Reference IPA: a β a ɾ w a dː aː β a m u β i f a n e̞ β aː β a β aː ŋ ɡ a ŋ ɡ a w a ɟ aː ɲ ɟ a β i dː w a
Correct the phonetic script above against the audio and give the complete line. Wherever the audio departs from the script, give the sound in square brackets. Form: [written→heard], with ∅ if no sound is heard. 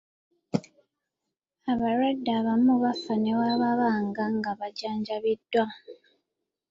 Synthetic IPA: a β a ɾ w a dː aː β a m u β [i→a] f a n e̞ [β→w] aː β a β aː ŋ ɡ a ŋ ɡ a [w→β] a ɟ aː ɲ ɟ a β i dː w a